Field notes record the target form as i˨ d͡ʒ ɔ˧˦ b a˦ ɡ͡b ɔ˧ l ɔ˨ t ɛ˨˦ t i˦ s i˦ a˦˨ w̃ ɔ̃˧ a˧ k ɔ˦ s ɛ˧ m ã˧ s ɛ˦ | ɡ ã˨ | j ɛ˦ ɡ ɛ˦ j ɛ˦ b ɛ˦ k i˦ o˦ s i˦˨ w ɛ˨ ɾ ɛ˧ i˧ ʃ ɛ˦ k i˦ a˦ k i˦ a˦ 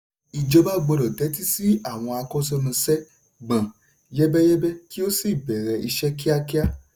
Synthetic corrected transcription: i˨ d͡ʒ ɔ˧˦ b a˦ ɡ͡b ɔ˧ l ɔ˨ t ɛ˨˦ t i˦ s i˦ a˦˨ w̃ ɔ̃˧ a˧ k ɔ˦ s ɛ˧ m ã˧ s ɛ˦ | ɡ͡b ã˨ | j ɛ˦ b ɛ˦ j ɛ˦ b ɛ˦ k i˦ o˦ s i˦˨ b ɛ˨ ɾ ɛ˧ i˧ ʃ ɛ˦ k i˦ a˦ k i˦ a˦